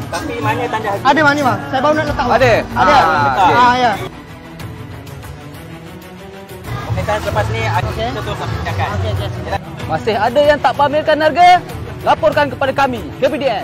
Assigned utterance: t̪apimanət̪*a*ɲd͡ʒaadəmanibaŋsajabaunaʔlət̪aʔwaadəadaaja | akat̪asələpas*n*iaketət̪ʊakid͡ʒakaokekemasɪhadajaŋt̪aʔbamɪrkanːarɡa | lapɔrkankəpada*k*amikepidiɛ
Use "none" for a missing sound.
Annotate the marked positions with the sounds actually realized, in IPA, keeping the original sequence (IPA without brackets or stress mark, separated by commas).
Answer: a, n, k